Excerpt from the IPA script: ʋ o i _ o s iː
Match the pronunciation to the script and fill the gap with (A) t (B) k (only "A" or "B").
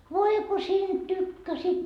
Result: B